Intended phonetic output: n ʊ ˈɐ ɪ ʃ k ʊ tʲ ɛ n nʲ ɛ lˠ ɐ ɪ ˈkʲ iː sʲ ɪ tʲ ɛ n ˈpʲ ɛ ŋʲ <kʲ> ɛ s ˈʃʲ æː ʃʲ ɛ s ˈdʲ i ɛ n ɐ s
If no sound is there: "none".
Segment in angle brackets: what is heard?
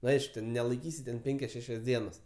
kʲ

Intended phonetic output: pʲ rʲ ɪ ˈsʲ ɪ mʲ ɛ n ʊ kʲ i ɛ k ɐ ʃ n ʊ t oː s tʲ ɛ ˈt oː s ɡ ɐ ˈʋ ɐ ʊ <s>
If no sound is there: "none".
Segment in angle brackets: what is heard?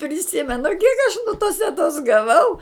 none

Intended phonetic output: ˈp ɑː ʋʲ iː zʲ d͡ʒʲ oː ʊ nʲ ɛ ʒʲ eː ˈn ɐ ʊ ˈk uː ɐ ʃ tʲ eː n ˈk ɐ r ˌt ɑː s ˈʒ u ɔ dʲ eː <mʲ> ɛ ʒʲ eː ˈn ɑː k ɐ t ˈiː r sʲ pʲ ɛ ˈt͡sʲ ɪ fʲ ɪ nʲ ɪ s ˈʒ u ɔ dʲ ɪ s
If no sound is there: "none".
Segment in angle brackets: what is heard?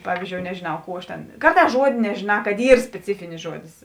nʲ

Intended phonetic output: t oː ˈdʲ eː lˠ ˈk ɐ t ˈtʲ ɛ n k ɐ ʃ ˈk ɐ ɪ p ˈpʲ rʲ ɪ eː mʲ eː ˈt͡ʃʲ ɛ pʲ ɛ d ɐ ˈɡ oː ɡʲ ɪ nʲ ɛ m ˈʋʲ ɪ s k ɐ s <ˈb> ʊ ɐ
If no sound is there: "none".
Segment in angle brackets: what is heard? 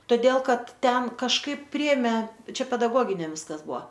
b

